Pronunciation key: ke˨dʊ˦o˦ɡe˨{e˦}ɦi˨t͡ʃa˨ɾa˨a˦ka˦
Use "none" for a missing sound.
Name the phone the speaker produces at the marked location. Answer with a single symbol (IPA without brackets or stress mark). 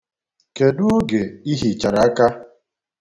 i˦